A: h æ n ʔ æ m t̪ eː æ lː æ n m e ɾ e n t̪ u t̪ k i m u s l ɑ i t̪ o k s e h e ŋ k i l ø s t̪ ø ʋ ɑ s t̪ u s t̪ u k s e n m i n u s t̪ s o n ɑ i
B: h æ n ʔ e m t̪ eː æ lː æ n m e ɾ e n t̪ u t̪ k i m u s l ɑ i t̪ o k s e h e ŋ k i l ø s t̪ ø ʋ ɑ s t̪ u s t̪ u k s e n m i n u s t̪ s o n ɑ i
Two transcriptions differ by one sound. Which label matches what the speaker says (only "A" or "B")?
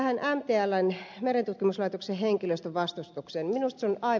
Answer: A